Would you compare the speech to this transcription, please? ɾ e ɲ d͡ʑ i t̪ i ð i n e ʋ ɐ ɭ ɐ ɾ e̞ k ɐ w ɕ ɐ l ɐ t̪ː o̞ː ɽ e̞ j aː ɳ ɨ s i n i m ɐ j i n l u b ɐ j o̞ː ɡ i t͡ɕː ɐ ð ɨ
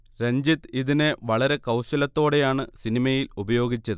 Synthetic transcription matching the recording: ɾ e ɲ d͡ʑ i t̪ i ð i n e ʋ ɐ ɭ ɐ ɾ e̞ k ɐ w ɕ ɐ l ɐ t̪ː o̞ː ɽ e̞ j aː ɳ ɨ s i n i m ɐ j i l u b ɐ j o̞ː ɡ i t͡ɕː ɐ ð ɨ